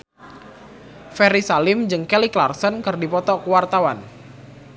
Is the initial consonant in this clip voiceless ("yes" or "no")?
yes